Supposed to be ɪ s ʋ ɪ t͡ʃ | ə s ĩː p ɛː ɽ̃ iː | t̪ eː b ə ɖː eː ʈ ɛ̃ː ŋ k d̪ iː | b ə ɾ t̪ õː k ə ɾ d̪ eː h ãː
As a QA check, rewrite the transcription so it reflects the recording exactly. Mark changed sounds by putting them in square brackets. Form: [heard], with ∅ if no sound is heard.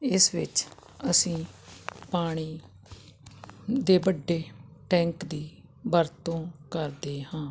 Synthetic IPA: ɪ s ʋ ɪ t͡ʃ | ə s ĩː p [aː] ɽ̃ iː | [d̪] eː b ə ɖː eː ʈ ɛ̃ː ŋ k d̪ iː | b ə ɾ t̪ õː k ə ɾ d̪ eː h ãː

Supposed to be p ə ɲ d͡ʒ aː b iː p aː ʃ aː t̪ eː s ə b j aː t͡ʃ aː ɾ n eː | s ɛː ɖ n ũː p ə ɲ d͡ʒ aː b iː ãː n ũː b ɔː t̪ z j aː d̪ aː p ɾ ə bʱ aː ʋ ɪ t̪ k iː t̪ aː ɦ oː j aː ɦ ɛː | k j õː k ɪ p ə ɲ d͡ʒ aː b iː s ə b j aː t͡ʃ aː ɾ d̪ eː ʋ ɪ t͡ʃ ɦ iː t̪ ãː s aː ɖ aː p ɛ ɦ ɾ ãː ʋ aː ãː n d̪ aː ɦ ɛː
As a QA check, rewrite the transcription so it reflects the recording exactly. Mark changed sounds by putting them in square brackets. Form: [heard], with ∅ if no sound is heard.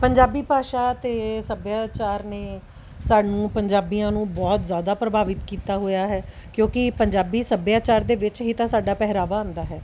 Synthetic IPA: p ə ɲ d͡ʒ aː b iː p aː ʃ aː t̪ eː s ə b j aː t͡ʃ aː ɾ n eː | s [aː] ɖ n ũː p ə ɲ d͡ʒ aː b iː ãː n ũː b ɔː t̪ z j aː d̪ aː p ɾ ə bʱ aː ʋ ɪ t̪ k iː t̪ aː ɦ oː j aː ɦ ɛː | k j õː k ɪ p ə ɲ d͡ʒ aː b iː s ə b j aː t͡ʃ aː ɾ d̪ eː ʋ ɪ t͡ʃ ɦ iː t̪ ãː s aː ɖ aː p ɛ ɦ ɾ [aː] ʋ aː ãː n d̪ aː ɦ ɛː

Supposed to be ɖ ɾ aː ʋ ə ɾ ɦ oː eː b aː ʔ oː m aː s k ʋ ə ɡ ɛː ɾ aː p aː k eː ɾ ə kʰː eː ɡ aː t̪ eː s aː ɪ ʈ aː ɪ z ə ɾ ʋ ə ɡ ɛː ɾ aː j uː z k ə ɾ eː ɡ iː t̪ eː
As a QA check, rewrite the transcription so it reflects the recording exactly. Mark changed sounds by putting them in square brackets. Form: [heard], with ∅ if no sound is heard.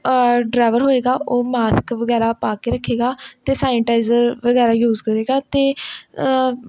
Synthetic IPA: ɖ ɾ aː ʋ ə ɾ ɦ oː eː [ɡ] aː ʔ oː m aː s k ʋ ə ɡ ɛː ɾ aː p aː k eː ɾ ə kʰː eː ɡ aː t̪ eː s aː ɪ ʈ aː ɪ z ə ɾ ʋ ə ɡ ɛː ɾ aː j uː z k ə ɾ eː ɡ [aː] t̪ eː

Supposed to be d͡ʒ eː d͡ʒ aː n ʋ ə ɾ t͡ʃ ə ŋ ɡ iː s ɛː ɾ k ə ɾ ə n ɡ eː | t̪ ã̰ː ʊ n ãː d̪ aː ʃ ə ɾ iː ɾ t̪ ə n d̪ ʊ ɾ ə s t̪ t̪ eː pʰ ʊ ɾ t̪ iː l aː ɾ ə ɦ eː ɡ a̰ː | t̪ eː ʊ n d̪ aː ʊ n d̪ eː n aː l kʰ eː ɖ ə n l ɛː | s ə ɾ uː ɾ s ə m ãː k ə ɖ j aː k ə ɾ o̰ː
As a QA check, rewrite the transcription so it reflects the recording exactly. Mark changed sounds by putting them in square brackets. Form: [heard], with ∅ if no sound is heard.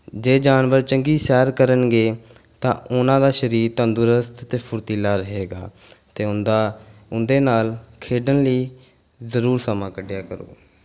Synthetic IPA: d͡ʒ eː d͡ʒ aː n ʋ ə ɾ t͡ʃ ə ŋ ɡ iː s ɛː ɾ k ə ɾ ə n ɡ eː | t̪ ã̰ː ʊ n ãː d̪ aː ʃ ə ɾ iː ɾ t̪ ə n d̪ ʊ ɾ ə s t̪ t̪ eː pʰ ʊ ɾ t̪ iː l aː ɾ ə ɦ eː ɡ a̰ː | t̪ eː ʊ n d̪ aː ʊ n d̪ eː n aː l kʰ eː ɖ ə n l [iː] | [z] ə ɾ uː ɾ s ə m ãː k ə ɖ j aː k ə ɾ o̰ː

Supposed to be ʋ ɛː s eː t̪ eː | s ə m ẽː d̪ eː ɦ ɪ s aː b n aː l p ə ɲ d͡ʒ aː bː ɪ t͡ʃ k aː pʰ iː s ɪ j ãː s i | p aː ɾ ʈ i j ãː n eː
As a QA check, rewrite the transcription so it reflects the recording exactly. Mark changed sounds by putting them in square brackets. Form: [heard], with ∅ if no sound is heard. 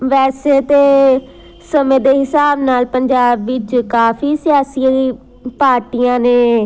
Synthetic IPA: ʋ ɛː s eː t̪ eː | s ə m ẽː d̪ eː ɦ ɪ s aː b n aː l p ə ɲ d͡ʒ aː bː ɪ t͡ʃ k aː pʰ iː s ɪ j [aː] s i | p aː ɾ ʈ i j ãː n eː

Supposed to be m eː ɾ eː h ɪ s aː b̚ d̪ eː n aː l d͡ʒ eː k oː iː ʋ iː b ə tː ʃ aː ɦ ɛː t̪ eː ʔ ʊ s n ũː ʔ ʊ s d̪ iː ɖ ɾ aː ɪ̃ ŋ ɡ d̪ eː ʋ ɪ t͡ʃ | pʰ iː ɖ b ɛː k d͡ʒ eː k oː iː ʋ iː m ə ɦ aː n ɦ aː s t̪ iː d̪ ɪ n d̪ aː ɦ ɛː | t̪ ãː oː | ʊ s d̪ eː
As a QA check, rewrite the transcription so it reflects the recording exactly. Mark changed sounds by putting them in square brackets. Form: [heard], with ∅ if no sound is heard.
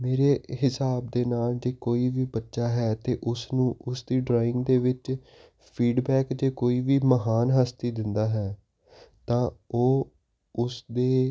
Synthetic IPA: m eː ɾ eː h ɪ s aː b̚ d̪ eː n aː l d͡ʒ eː k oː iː ʋ iː b ə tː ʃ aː ɦ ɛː t̪ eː ʔ ʊ s n ũː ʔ ʊ s d̪ iː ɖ ɾ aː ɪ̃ ŋ ɡ d̪ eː ʋ ɪ t͡ʃ | pʰ iː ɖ b ɛː k d͡ʒ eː k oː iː ʋ iː m ə ɦ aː n ɦ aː s t̪ iː d̪ ɪ n d̪ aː ɦ ɛː | t̪ ãː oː | ʊ s d̪ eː

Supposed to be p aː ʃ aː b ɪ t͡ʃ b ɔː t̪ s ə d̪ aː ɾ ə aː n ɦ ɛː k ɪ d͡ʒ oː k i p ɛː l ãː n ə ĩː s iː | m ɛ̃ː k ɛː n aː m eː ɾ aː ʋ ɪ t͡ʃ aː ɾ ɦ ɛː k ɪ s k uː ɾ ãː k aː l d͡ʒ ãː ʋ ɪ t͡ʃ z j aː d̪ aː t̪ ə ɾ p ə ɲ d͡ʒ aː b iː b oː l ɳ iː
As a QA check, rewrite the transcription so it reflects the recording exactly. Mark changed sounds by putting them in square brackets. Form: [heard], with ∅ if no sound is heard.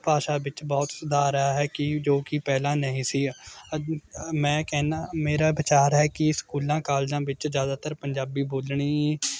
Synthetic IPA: p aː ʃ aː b ɪ t͡ʃ b ɔː t̪ s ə d̪ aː ɾ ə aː [∅] ɦ ɛː k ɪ d͡ʒ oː k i p ɛː l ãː n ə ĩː s iː | m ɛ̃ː k ɛː n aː m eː ɾ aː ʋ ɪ t͡ʃ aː ɾ ɦ ɛː k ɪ s k uː [l] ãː k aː l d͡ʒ ãː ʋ ɪ t͡ʃ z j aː d̪ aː t̪ ə ɾ p ə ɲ d͡ʒ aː b iː b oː l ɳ iː

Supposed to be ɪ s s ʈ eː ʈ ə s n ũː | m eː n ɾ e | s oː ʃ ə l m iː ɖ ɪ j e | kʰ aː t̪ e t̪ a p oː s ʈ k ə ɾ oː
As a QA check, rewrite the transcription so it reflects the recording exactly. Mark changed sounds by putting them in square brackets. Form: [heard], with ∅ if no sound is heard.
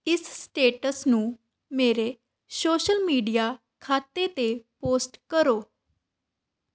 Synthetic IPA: ɪ s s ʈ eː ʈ ə s n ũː | m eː [∅] ɾ e | s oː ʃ ə l m iː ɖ [i] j [a] | kʰ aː t̪ e t̪ [e] p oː s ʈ k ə ɾ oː

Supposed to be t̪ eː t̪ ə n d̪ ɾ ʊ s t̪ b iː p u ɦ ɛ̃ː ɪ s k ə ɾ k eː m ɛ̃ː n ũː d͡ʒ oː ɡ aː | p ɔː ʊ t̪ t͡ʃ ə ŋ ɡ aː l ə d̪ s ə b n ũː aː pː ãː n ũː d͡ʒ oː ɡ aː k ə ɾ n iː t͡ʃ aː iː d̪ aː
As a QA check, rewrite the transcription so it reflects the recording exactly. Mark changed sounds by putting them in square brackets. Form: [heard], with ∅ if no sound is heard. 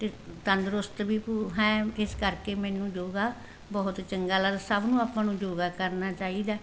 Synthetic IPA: t̪ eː t̪ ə n d̪ ɾ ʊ s t̪ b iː p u ɦ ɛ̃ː ɪ s k ə ɾ k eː m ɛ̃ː n ũː d͡ʒ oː ɡ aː | [b] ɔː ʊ t̪ t͡ʃ ə ŋ ɡ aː l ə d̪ s ə b n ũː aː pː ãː n ũː d͡ʒ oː ɡ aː k ə ɾ n [aː] t͡ʃ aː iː d̪ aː

